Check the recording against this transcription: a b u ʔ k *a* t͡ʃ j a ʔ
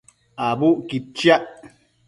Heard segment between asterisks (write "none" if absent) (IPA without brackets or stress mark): i